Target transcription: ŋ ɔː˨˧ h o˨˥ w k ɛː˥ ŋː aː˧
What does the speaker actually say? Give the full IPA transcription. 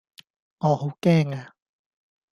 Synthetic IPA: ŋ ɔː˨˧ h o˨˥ w k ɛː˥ ŋ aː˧

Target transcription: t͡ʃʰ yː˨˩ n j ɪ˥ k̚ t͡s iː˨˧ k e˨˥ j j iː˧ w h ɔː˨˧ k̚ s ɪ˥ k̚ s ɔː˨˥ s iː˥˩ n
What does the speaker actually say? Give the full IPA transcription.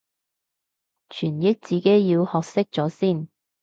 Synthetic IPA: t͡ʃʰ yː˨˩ n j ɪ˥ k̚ t͡s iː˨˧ k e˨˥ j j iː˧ w h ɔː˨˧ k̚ s ɪ˥ k̚ t͡s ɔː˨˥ s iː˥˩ n

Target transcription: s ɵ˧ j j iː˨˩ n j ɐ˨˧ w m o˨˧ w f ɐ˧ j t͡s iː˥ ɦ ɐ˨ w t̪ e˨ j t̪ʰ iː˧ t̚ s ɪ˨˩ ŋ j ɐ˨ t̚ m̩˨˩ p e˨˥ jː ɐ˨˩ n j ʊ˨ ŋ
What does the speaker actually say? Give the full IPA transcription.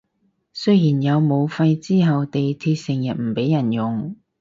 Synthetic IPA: s ɵ˥ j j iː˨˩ n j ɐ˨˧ w m o˨˧ w f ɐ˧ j t͡s iː˥ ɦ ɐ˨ w t̪ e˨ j t̪ʰ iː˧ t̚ s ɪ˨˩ ŋ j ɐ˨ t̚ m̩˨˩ p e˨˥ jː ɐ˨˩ n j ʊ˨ ŋ

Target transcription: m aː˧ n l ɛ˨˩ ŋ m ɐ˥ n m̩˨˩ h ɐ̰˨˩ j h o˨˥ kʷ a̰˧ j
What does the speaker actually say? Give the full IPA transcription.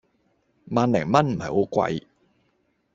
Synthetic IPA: m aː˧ n l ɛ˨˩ ŋ m ɐ˥ n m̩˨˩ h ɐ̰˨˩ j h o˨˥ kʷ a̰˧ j

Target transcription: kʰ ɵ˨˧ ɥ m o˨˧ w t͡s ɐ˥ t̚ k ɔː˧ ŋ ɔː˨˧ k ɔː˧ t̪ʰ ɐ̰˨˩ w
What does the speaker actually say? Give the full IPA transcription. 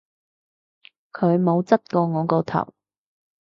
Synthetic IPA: kʰ ɵ˨˧ ɥ m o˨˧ w t͡s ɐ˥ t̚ k ɔː˧ ŋ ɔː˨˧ k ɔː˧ t̪ʰ ɐ̰˨˩ w

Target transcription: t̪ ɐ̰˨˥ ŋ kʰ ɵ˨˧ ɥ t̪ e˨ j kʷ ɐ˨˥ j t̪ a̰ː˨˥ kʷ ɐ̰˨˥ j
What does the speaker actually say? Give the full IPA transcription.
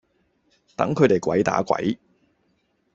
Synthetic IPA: t̪ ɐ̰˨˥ ŋ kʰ ɵ˨˧ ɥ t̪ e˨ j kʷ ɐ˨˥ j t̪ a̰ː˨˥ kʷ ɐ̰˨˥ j

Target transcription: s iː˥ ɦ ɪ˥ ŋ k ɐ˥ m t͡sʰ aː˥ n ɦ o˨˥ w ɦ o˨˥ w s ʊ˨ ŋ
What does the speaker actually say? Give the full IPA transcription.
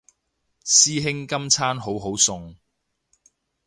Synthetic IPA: s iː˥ ɦ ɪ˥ ŋ k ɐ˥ m t͡sʰ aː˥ n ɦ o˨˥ w ɦ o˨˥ w s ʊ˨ ŋ

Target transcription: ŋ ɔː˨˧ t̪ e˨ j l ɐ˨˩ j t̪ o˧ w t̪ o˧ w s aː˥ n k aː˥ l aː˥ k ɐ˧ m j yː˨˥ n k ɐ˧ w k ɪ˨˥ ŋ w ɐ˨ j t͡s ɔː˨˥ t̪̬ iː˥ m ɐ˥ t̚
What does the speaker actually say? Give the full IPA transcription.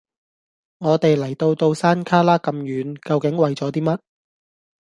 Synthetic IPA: ŋ ɔː˨˧ t̪ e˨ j l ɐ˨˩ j t̪ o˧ w t̪ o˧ w s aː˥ n kʰ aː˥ l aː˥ k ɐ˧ m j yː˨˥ n k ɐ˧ w k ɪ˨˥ ŋ w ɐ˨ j t͡s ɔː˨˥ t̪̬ iː˥ m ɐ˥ t̚

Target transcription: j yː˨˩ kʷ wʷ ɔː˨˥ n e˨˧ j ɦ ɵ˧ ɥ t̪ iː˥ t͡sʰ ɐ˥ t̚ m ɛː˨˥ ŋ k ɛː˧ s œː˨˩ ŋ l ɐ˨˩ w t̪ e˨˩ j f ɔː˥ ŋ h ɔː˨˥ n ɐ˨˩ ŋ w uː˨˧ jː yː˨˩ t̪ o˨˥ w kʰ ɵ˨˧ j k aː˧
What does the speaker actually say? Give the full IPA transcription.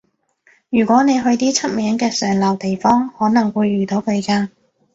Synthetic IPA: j yː˨˩ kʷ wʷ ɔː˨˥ n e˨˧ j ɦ ɵ˧ ɥ t̪ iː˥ t͡sʰ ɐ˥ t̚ m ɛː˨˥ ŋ k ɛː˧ s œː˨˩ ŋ l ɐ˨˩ w t̪ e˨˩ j f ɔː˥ ŋ h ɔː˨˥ n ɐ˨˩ ŋ w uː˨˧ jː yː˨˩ t̪ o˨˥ w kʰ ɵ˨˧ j k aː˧

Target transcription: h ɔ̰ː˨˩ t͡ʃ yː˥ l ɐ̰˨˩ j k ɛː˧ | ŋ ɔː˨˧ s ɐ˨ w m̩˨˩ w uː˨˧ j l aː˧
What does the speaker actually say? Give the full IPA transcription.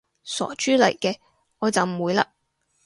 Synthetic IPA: s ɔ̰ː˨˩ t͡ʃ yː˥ l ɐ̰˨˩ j k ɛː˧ | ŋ ɔː˨˧ t͡s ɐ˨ w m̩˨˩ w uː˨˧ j l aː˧

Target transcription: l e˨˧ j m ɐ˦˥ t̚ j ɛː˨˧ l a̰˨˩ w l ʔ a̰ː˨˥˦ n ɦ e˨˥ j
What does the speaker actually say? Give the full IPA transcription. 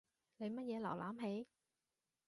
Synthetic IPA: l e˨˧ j m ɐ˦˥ t̚ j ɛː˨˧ l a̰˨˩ w l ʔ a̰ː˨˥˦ m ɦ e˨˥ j

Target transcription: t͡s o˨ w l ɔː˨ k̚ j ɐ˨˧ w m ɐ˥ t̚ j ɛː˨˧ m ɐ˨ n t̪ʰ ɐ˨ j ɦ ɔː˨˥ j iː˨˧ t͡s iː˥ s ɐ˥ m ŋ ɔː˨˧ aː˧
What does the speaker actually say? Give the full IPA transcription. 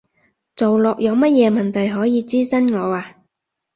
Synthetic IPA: t͡s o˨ w l ɔː˨ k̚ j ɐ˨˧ w m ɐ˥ t̚ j ɛː˨˧ m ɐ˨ n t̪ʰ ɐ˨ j ɦ ɔː˨˥ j iː˨˧ t͡s iː˥ s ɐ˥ n ŋ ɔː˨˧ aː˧

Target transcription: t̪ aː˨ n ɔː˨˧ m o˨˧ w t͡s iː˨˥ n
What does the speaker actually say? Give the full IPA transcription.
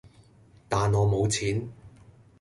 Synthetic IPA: t̪ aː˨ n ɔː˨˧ m o˨˧ w t͡sʰ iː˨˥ n

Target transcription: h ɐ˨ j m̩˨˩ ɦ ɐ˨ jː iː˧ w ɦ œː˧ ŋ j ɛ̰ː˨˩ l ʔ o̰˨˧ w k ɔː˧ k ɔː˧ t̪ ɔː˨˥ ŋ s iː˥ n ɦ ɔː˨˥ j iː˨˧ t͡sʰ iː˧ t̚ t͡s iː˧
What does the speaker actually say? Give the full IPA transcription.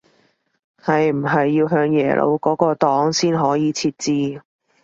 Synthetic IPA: h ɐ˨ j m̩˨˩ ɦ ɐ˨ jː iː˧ w ɦ œː˧ ŋ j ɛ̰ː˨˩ l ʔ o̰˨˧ w k ɔː˨˥ k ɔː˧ t̪ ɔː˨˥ ŋ s iː˥ n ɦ ɔː˨˥ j iː˨˧ t͡sʰ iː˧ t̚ t͡s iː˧

